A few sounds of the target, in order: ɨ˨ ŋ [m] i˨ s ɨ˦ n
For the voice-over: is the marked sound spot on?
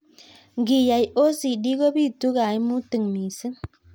yes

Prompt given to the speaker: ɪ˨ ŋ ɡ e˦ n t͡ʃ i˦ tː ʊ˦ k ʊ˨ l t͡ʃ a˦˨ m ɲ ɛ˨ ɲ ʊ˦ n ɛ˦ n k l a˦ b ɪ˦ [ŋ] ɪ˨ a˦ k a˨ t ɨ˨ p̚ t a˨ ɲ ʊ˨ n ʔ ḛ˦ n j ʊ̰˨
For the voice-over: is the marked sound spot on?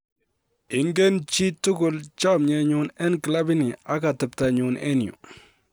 no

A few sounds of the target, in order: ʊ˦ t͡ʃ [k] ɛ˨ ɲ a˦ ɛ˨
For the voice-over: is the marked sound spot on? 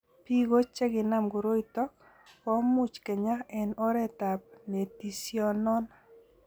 yes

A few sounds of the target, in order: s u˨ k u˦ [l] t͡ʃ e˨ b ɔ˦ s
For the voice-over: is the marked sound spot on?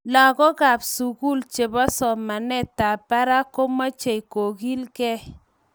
yes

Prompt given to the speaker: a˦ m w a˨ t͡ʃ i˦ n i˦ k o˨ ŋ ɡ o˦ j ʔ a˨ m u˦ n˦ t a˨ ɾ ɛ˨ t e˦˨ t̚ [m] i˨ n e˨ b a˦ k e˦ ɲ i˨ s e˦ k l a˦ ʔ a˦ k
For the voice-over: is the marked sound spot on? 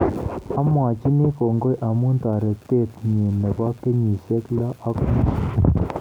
no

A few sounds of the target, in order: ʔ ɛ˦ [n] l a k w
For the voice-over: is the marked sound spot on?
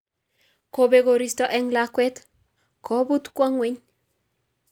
no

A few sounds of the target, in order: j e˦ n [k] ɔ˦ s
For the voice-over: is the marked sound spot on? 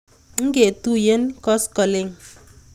yes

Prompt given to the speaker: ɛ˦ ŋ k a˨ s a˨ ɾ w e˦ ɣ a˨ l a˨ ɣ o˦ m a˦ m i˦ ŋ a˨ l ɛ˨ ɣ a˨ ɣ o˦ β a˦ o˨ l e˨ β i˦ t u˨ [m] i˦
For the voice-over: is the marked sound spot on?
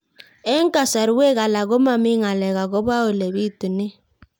no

